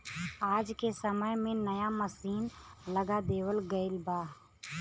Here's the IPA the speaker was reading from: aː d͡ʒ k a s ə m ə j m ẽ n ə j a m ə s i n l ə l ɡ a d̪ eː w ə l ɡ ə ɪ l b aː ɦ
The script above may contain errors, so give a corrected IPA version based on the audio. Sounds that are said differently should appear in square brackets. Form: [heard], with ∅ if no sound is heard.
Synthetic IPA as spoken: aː d͡ʒ k [e] s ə m ə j m ẽ n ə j a m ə s [iː] n l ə [∅] ɡ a d̪ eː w ə l ɡ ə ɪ l b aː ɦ